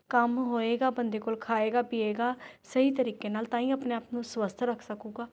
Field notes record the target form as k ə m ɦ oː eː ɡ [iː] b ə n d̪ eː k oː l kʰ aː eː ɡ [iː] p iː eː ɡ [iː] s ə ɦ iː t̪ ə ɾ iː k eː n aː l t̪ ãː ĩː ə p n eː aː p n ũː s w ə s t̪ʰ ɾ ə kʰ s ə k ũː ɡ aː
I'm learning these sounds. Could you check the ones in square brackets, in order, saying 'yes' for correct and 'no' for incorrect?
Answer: no, no, no

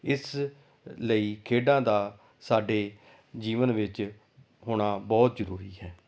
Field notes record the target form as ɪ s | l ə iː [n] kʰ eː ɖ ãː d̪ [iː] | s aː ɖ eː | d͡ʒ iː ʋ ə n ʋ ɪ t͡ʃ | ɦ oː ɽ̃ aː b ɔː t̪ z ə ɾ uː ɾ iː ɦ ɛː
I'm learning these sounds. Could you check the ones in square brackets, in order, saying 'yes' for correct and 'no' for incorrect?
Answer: no, no

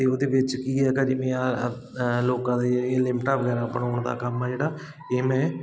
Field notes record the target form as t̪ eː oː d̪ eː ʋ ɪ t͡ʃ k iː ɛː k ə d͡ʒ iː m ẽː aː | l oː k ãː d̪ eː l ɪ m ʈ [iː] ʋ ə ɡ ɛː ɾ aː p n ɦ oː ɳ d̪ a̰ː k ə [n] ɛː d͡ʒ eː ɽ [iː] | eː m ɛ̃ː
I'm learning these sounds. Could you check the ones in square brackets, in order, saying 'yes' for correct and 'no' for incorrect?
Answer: no, no, no

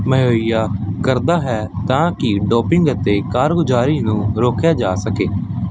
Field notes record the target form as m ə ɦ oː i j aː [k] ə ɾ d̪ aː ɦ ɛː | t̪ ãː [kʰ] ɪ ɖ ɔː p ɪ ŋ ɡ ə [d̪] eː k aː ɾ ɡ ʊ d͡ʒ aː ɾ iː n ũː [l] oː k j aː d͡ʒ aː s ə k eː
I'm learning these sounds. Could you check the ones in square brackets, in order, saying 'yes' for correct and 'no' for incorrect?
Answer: yes, no, no, no

